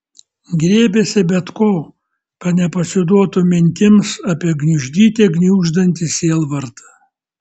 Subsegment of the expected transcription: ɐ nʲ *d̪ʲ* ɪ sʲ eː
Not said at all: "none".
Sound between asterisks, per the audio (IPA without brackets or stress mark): t̪ʲ